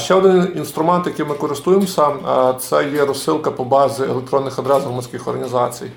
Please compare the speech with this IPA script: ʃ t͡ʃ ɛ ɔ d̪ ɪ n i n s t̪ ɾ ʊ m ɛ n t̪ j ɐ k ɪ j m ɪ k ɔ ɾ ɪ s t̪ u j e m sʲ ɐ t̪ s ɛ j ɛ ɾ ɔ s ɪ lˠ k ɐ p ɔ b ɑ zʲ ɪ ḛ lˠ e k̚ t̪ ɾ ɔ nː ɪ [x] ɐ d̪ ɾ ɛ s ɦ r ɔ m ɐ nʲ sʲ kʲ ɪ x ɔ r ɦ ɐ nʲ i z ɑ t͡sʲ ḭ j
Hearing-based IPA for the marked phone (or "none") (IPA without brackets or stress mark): x